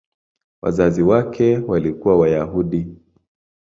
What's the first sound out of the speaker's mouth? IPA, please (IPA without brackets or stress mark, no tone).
w